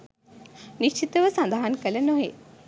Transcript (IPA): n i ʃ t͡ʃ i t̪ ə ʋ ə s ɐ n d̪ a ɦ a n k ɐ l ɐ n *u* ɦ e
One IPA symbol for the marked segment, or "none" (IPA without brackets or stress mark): o